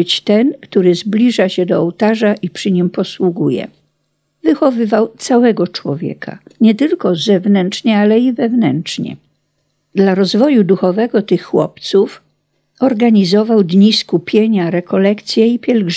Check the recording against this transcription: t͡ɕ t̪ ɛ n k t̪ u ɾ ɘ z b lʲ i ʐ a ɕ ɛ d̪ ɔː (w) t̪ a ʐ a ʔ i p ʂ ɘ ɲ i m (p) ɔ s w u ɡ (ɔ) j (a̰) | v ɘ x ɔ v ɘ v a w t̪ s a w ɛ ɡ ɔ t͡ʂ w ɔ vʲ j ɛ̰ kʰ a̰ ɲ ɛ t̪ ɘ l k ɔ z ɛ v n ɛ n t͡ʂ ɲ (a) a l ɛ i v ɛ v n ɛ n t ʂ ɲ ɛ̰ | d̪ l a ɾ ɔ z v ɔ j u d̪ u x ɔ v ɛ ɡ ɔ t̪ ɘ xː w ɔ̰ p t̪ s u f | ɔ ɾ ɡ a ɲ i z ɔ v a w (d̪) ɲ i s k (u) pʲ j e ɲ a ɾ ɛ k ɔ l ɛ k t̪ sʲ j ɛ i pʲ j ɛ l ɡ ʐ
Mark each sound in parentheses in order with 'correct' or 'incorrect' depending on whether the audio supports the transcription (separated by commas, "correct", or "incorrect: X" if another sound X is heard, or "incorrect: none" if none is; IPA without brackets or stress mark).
correct, correct, incorrect: u, incorrect: ɛ̰, incorrect: ɛ, correct, correct